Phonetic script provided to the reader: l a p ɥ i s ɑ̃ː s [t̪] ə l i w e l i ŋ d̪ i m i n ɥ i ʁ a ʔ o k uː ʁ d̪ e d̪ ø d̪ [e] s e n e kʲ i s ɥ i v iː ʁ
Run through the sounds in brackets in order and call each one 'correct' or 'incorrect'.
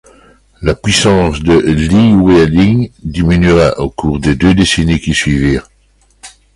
incorrect: d̪, correct

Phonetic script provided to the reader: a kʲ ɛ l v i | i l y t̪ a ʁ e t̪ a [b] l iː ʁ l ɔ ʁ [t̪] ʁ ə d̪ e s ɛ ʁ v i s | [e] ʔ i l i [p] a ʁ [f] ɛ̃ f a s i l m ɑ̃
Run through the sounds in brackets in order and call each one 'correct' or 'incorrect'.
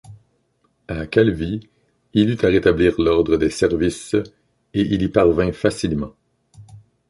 correct, incorrect: d̪, correct, correct, incorrect: v

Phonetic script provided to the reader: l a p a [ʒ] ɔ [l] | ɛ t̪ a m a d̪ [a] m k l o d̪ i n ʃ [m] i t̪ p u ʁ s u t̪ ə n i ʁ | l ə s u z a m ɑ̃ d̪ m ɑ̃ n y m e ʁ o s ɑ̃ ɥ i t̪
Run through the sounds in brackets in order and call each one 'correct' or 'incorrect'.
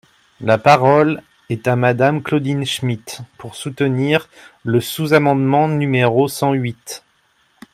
incorrect: ʁ, correct, correct, correct

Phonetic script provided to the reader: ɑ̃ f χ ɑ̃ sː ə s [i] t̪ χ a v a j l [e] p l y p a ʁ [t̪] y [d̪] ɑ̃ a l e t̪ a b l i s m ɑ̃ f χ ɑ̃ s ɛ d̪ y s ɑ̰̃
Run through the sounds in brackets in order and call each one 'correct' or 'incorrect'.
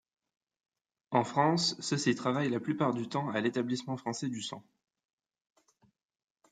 correct, incorrect: a, incorrect: d̪, incorrect: t̪

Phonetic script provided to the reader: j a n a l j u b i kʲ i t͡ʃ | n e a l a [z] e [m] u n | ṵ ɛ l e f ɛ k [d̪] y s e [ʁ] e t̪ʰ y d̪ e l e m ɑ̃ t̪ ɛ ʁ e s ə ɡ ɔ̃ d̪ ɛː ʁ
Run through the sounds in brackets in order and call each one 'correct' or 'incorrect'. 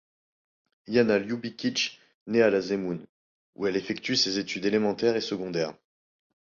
correct, correct, incorrect: t̪, incorrect: z

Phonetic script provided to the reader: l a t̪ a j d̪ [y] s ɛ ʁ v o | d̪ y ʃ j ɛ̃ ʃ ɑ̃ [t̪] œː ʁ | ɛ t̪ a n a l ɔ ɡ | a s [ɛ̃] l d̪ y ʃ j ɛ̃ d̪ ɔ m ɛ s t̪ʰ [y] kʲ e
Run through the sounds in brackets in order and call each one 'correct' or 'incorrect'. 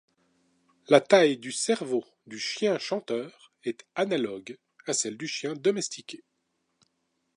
correct, correct, incorrect: ɛ, incorrect: i

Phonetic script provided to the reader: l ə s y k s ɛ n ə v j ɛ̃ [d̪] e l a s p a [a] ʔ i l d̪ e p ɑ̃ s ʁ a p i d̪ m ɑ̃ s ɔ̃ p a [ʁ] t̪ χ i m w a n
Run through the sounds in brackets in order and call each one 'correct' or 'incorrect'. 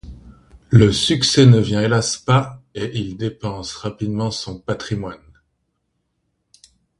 incorrect: none, incorrect: e, incorrect: none

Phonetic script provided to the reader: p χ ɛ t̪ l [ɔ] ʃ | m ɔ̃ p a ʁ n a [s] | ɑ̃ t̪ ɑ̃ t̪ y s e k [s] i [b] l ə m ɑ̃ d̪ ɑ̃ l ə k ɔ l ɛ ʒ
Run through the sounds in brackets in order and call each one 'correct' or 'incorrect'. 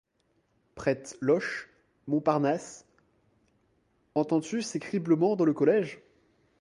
correct, correct, incorrect: χ, correct

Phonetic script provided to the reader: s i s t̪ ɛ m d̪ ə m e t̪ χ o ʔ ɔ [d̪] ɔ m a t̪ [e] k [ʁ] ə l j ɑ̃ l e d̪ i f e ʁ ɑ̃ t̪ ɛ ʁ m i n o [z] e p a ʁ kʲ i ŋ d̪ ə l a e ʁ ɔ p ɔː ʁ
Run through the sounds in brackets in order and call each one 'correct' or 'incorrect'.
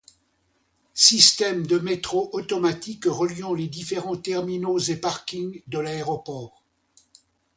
incorrect: t̪, incorrect: i, correct, correct

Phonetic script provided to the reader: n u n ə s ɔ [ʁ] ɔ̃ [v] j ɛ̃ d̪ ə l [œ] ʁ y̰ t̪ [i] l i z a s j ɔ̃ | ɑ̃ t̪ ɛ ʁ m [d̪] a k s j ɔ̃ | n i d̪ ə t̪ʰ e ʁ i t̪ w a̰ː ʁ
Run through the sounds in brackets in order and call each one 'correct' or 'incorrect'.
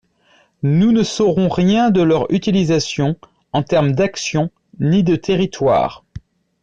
correct, incorrect: ʁ, correct, correct, correct

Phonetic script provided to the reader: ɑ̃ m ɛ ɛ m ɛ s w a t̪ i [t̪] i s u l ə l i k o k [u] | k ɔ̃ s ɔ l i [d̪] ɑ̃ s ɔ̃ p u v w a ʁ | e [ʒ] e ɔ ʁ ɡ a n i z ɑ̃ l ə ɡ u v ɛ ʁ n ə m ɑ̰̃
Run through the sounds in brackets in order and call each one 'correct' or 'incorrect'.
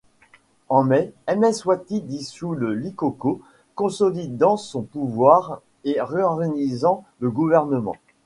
incorrect: d̪, incorrect: o, correct, incorrect: ʁ

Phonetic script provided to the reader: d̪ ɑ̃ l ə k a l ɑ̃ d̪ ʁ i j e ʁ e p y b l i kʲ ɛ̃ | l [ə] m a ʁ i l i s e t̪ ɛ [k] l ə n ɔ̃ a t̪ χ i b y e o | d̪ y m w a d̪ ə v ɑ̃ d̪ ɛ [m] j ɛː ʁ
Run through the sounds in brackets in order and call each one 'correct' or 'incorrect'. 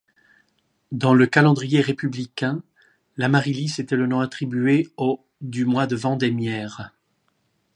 incorrect: a, incorrect: none, correct

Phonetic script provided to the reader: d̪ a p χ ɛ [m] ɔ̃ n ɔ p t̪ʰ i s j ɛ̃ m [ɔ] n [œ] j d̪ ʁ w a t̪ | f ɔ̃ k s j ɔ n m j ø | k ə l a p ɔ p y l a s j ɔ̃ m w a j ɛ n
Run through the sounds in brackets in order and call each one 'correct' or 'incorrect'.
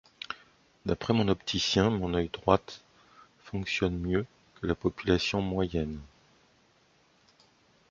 correct, incorrect: ɔ̃, correct

